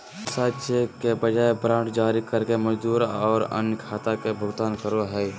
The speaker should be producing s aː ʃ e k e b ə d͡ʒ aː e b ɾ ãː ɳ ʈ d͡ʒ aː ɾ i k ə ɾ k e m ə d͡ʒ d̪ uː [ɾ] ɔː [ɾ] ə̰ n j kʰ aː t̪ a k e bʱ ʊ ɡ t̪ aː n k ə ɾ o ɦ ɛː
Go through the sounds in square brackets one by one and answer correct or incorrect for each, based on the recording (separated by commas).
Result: correct, correct